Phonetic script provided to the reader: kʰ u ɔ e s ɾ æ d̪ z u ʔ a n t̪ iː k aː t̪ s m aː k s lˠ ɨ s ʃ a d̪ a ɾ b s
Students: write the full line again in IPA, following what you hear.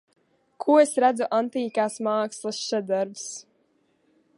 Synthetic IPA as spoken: kʰ u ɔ e s ɾ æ d̪ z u ʔ a n t̪ iː k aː s m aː k s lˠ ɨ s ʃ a d̪ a ɾ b s